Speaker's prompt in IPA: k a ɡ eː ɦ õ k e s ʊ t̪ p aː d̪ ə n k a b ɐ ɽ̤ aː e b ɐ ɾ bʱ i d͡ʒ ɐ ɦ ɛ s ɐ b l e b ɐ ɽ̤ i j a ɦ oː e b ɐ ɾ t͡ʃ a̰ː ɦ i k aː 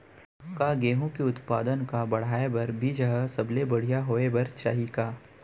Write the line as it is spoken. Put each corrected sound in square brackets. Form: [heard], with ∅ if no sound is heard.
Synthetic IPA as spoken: k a ɡ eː ɦ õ k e [∅] ʊ t̪ p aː d̪ ə n k a b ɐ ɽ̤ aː e b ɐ ɾ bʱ i d͡ʒ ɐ ɦ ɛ s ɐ b l e b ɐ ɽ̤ i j a ɦ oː e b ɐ ɾ t͡ʃ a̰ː ɦ i k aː